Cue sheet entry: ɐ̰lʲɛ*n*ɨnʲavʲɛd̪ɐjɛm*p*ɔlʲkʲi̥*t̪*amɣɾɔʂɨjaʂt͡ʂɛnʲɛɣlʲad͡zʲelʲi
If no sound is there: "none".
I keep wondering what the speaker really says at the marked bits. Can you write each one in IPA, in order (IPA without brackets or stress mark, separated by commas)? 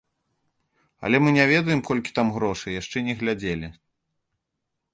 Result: m, k, t̪